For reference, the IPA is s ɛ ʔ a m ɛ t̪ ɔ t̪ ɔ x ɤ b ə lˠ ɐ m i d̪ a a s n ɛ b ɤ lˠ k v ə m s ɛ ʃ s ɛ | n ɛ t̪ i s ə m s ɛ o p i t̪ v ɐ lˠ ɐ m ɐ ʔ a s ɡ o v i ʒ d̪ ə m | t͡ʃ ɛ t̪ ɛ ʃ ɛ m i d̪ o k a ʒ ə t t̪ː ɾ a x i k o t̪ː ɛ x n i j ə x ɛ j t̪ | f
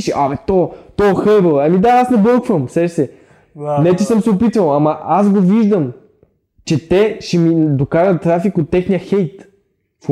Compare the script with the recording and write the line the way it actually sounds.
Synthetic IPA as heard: ʃ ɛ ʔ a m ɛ t̪ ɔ t̪ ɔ x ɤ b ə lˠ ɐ m i d̪ a a s n ɛ b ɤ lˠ k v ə m s ɛ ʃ s ɛ | n ɛ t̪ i s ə m s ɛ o p i t̪ v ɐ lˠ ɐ m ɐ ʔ a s ɡ o v i ʒ d̪ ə m | t͡ʃ ɛ t̪ ɛ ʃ ɛ m i d̪ o k a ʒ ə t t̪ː ɾ a f i k o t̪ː ɛ x n i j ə x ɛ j t̪ | f